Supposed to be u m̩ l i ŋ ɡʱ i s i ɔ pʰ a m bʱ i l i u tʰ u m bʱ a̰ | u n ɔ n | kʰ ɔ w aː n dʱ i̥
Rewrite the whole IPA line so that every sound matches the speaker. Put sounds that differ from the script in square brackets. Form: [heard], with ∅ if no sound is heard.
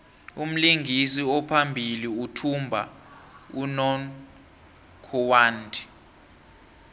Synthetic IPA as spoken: u m̩ l i ŋ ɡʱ i s i ɔ pʰ a m bʱ i l i u tʰ u m bʱ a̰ | u n ɔ n | kʰ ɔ w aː n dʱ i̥

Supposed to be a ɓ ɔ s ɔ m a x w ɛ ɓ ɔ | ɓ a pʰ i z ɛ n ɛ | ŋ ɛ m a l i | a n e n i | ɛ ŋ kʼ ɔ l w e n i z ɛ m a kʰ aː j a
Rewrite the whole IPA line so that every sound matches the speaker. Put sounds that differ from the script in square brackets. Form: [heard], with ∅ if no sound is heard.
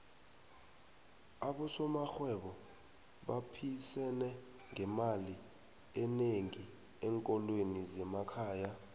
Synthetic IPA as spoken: a ɓ ɔ s ɔ m a x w ɛ ɓ ɔ | ɓ a pʰ i [s] ɛ n ɛ | ŋ ɛ m a l i | [ɛ] n e [ŋ] i | ɛ ŋ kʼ ɔ l w e n i z ɛ m a kʰ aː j a

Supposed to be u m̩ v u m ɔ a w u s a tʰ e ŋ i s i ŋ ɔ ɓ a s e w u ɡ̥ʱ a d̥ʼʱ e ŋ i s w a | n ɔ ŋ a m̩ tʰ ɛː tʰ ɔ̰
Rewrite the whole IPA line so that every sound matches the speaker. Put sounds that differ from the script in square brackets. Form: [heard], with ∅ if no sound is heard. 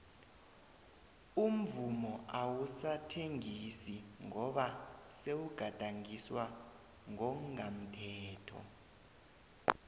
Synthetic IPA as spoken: u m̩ v u m ɔ a w u s a tʰ e ŋ i s i ŋ ɔ ɓ a s e w u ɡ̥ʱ a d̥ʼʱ [a] ŋ i s w a | [ŋ] ɔ ŋ a m̩ tʰ ɛː tʰ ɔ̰

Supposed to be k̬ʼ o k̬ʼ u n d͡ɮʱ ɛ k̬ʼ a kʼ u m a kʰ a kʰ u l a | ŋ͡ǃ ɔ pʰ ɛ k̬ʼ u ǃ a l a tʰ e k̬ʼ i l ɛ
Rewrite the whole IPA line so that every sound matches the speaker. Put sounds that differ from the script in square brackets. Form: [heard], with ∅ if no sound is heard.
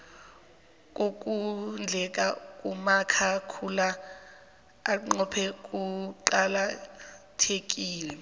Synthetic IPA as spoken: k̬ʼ o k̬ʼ u n d͡ɮʱ ɛ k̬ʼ a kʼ u m a kʰ a kʰ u l a | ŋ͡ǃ ɔ pʰ ɛ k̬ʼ u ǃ a l a tʰ e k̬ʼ [iː] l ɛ

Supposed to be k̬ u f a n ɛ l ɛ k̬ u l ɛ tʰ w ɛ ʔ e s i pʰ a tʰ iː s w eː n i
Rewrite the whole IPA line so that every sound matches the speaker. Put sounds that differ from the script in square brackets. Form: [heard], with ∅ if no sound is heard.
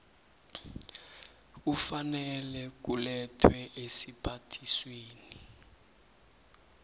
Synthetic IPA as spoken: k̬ u f a n ɛ l ɛ k̬ u l ɛ tʰ w ɛ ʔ e s i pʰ a tʰ [i] s w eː n i

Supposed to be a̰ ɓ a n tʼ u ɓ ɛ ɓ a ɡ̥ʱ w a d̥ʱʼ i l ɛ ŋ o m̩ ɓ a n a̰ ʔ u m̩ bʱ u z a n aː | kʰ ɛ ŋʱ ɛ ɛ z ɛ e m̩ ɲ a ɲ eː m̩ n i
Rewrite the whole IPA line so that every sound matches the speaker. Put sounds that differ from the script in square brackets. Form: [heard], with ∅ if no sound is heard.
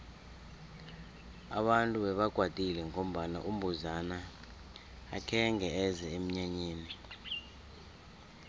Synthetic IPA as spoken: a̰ ɓ a n tʼ u ɓ ɛ ɓ a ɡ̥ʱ w a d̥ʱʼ i l ɛ ŋ o m̩ ɓ a n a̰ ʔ u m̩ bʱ u z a n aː | kʰ ɛ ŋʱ ɛ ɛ z ɛ e m̩ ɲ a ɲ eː [∅] n i

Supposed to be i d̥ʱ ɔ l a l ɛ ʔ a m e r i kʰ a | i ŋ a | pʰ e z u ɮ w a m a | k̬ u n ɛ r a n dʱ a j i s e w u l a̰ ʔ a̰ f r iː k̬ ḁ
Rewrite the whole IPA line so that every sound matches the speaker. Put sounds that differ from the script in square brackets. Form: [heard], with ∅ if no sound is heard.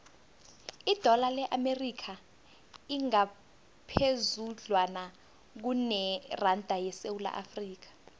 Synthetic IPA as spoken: i d̥ʱ ɔ l a l ɛ ʔ a m e r i kʰ a | i ŋ a | pʰ e z u ɮ w a [n] a | k̬ u n ɛ r a n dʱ a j [ɛ] s e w u l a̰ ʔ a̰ f r iː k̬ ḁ

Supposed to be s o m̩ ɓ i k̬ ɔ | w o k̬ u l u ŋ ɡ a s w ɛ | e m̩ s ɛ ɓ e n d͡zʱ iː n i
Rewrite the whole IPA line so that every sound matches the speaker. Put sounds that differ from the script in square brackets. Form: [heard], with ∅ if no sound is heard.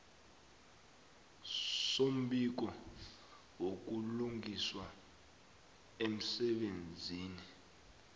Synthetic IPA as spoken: s o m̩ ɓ i k̬ ɔ | w o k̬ u l u ŋ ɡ [i] s w [a] | e m̩ s ɛ ɓ e n d͡zʱ iː n i

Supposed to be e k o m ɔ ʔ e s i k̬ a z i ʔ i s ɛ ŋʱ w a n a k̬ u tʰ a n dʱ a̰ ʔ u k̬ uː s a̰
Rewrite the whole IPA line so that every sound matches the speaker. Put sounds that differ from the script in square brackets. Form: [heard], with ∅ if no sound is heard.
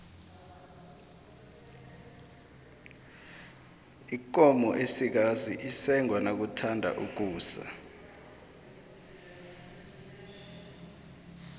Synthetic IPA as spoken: [i] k [ɔ] m ɔ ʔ e s i k̬ a z i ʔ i s ɛ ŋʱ w a n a k̬ u tʰ a n dʱ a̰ ʔ u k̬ uː s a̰

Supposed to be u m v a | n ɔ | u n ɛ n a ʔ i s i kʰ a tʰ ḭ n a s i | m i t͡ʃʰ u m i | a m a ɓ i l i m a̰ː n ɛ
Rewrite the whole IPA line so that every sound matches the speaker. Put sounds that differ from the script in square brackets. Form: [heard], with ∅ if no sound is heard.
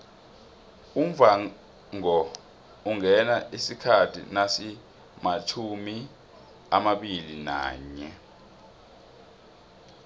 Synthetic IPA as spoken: u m v a | [ŋ] ɔ | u [ŋ] ɛ n a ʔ i s i kʰ a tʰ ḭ n a s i | m [a] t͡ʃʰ u m i | a m a ɓ i l i [n] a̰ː [ɲ] ɛ

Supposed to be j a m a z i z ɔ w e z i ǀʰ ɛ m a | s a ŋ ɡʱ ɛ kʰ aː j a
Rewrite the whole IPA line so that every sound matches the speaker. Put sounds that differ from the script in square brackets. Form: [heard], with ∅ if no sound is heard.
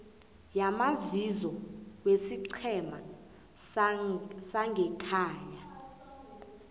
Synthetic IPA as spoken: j a m a z i z ɔ w e [s] i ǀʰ ɛ m a | s a ŋ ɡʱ ɛ kʰ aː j a

